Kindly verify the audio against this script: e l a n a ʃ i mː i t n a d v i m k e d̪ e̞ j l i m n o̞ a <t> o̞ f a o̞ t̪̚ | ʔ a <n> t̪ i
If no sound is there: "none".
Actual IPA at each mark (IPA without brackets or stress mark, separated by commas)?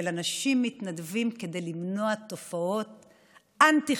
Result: t, n